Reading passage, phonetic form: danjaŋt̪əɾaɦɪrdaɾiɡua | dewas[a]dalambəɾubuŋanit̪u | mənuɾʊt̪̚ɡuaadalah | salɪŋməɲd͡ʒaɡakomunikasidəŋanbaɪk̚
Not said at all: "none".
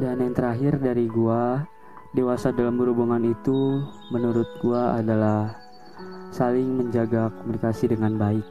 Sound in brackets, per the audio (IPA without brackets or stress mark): a